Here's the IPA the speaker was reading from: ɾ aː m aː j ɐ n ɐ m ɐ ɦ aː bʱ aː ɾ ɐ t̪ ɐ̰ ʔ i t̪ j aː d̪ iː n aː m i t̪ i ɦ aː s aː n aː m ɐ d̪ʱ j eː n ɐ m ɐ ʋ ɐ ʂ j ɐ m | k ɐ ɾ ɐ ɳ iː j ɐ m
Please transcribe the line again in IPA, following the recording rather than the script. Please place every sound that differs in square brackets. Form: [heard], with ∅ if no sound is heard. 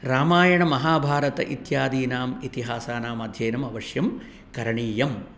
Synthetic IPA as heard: ɾ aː m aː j ɐ [ɳ] ɐ m ɐ ɦ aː bʱ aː ɾ ɐ t̪ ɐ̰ ʔ i t̪ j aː d̪ iː n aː m i t̪ i ɦ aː s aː n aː m ɐ d̪ʱ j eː n ɐ m ɐ ʋ ɐ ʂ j ɐ m | k ɐ ɾ ɐ ɳ iː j ɐ m